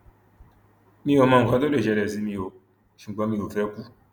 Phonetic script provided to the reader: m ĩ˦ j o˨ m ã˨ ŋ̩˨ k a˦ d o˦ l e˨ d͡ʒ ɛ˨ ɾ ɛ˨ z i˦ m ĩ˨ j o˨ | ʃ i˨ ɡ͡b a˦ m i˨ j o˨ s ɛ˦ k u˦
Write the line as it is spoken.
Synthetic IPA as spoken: m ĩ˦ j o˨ m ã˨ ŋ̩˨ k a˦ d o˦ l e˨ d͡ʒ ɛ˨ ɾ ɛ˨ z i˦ m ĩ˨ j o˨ | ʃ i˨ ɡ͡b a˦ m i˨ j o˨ f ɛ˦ k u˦